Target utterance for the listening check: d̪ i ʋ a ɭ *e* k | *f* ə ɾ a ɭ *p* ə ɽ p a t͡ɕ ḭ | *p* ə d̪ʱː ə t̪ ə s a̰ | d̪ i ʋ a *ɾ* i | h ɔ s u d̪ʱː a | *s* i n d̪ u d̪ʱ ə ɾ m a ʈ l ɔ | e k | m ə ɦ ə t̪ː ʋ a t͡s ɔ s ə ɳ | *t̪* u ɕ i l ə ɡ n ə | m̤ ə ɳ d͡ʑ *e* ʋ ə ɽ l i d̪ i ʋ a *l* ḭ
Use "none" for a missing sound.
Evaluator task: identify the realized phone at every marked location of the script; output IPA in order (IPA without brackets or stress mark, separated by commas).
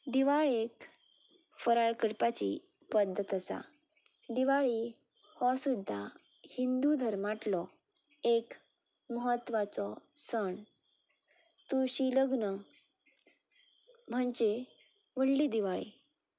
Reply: e, f, k, p, ɭ, h, t̪, e, ɭ